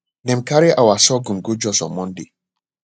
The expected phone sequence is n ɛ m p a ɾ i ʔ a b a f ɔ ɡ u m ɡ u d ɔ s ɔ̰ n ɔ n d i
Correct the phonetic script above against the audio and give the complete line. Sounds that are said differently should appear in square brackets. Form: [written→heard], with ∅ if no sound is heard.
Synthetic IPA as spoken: n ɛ m [p→k] a ɾ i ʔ a [b→w] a [f→s] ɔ ɡ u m ɡ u [d→d͡ʒ] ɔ s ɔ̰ [n→m] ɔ n d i